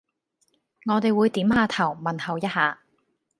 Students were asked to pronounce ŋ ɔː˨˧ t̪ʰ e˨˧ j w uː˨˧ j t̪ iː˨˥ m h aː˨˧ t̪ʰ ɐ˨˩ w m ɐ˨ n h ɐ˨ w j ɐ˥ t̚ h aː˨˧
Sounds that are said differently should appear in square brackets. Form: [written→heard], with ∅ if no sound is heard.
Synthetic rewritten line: ŋ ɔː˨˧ [t̪ʰ→t̪] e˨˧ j w uː˨˧ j t̪ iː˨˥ m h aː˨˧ t̪ʰ ɐ˨˩ w m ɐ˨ n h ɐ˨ w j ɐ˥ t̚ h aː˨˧